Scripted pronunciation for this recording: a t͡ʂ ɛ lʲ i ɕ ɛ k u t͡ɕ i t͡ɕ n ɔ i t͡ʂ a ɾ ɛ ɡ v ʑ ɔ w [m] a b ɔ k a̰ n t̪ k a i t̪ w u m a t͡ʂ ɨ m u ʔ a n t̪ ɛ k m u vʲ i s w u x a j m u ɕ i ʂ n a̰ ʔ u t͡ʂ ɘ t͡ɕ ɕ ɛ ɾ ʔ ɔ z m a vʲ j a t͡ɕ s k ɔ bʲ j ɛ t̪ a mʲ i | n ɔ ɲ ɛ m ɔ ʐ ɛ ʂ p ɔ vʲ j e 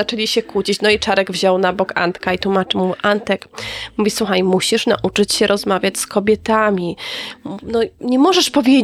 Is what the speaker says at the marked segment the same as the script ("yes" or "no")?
no